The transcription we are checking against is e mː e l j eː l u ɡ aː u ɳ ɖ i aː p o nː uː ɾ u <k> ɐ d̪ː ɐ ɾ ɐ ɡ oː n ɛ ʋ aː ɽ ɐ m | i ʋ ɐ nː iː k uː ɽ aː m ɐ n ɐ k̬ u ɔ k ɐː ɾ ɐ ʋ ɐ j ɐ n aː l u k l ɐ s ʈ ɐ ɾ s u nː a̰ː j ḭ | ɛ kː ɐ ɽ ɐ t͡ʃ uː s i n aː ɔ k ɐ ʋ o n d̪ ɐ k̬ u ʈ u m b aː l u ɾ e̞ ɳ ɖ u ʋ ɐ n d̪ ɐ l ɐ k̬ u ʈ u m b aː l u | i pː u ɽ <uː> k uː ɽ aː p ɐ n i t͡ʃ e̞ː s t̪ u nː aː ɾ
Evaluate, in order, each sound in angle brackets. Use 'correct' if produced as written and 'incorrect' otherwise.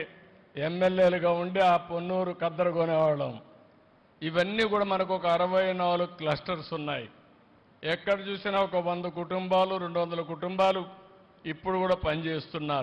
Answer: correct, incorrect: u

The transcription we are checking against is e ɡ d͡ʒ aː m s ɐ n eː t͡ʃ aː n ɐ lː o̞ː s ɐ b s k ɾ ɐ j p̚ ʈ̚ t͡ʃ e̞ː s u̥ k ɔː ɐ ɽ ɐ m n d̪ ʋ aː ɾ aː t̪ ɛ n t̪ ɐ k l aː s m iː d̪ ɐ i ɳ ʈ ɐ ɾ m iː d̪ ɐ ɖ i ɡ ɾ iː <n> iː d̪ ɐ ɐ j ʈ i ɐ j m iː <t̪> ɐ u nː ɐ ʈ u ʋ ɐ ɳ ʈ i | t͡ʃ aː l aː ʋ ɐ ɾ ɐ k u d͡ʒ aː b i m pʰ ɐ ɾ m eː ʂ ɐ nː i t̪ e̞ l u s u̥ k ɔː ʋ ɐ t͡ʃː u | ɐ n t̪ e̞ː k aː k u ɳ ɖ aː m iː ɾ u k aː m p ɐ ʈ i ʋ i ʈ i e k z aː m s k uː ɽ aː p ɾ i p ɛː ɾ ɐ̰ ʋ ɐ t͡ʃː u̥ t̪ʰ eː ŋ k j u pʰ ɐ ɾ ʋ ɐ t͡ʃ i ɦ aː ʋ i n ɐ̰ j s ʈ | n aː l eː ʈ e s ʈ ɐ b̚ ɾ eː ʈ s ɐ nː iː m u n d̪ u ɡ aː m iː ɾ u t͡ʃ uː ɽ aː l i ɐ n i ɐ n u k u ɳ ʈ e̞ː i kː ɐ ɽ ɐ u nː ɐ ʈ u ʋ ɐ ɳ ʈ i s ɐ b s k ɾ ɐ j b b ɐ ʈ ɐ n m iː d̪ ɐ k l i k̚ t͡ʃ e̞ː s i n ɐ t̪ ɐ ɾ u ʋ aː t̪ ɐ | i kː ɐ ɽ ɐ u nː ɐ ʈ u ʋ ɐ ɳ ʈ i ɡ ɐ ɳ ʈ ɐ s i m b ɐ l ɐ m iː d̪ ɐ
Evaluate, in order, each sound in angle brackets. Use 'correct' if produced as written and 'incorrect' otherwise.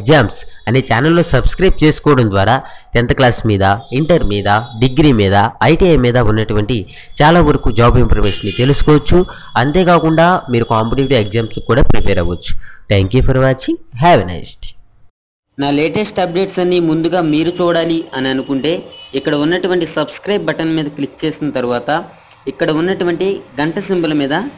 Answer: incorrect: m, incorrect: d̪

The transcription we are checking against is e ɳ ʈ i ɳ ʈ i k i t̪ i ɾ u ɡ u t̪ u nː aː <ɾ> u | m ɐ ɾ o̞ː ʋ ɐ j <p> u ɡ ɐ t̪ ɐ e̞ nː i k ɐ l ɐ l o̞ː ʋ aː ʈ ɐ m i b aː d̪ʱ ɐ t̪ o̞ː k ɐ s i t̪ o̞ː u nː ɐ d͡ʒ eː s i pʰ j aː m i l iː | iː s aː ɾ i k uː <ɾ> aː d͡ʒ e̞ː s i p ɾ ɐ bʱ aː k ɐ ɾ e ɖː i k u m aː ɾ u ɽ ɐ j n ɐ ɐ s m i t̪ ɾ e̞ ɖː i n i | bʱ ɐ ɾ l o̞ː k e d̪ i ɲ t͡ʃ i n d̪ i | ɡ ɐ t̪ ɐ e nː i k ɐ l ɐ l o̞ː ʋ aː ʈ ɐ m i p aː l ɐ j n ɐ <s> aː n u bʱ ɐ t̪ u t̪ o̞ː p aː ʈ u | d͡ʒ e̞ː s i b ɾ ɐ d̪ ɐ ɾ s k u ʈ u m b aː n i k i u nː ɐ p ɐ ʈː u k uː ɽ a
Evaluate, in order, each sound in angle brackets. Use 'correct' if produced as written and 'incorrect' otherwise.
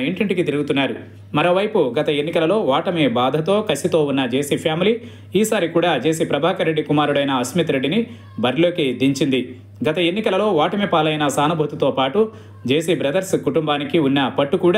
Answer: correct, correct, incorrect: ɽ, correct

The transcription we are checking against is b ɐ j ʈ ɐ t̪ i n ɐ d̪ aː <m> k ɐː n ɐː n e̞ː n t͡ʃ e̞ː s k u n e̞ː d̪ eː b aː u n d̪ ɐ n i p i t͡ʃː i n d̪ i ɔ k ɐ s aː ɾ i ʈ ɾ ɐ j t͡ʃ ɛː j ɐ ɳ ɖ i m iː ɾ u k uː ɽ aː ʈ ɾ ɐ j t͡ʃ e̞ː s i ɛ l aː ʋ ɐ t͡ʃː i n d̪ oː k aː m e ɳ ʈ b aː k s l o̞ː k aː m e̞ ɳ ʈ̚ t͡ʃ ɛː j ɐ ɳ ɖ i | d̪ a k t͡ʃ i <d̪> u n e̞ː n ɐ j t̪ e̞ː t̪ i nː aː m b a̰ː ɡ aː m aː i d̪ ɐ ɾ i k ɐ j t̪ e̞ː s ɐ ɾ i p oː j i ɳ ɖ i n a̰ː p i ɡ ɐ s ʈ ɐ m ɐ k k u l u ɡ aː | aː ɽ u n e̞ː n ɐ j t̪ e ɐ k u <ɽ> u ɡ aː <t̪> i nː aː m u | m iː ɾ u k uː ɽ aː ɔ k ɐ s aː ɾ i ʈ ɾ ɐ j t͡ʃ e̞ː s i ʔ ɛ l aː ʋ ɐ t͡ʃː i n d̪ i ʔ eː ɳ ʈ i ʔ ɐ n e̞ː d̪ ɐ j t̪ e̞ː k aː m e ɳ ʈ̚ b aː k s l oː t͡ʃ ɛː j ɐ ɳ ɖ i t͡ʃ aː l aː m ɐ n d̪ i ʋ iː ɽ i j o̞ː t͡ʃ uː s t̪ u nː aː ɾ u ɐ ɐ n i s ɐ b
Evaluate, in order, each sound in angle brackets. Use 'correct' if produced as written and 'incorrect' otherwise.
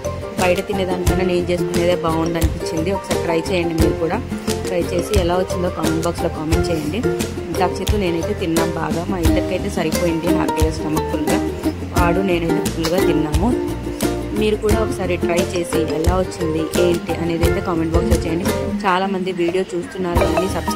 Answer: incorrect: n, incorrect: t̪, incorrect: l, correct

